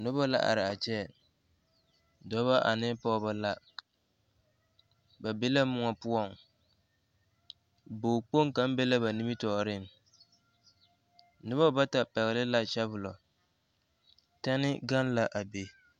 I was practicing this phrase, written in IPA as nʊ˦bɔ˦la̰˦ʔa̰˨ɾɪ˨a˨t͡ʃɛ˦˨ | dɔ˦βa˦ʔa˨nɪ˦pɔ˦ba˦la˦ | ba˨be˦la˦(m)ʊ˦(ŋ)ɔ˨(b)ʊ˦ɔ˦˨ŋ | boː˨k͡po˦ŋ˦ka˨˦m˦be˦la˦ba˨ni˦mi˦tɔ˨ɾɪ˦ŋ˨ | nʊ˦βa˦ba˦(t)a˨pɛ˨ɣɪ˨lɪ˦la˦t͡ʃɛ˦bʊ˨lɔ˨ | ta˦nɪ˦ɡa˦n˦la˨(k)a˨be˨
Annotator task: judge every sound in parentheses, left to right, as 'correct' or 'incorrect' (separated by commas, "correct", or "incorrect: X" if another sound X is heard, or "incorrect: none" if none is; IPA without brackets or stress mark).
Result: correct, correct, incorrect: p, correct, incorrect: ʔ